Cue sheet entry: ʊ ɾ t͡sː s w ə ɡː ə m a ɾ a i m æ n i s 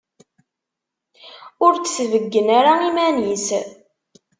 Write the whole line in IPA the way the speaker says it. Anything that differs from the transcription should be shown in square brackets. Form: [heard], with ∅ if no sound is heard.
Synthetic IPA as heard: ʊ ɾ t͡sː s [v] ə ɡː ə [n] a ɾ a i m æ n i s